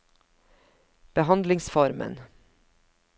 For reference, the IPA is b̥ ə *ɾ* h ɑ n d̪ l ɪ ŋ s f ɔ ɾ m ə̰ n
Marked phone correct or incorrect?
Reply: incorrect: none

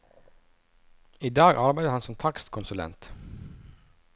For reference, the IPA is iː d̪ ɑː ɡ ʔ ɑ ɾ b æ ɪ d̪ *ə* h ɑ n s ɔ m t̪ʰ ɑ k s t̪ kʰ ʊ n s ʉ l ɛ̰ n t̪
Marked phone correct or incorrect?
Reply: correct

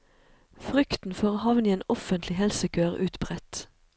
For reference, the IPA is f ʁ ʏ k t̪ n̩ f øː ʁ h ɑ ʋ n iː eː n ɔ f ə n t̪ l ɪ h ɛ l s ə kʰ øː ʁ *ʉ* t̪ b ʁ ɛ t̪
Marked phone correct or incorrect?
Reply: incorrect: ʉː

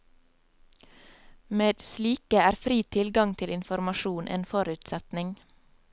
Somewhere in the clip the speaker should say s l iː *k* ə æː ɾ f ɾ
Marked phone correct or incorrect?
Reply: correct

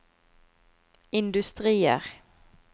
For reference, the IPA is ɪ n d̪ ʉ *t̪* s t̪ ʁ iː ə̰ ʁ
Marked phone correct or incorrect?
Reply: incorrect: none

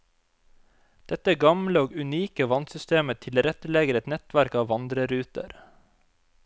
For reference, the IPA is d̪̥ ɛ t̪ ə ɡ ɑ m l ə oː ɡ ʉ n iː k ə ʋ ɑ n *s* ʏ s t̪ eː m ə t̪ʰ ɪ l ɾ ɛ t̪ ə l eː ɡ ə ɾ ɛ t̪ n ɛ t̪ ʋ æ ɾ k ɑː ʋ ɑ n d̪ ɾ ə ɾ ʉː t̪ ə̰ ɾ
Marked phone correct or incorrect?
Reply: correct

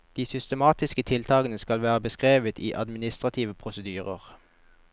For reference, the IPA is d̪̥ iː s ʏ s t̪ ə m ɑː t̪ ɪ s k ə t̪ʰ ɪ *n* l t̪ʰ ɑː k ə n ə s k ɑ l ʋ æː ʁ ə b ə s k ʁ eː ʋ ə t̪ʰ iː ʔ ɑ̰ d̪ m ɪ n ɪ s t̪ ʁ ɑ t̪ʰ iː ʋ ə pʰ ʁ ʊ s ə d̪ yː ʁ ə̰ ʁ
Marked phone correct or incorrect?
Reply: incorrect: none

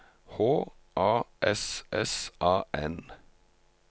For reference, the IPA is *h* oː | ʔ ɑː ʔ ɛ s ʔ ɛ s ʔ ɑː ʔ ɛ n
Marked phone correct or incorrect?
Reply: correct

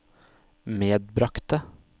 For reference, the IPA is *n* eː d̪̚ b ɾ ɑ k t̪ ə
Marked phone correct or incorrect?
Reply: incorrect: m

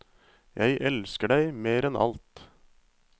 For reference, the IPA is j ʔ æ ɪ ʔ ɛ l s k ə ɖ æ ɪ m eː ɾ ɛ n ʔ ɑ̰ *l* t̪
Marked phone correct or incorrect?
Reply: correct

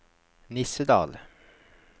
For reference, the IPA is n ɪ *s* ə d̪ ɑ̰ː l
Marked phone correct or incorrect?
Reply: correct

